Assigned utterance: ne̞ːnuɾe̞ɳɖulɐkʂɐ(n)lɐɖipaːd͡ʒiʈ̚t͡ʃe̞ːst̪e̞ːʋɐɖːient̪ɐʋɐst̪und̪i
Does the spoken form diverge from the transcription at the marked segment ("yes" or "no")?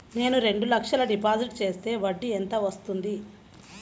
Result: yes